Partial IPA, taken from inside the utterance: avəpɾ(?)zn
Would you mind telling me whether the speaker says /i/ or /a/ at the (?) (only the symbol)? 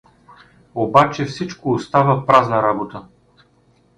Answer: a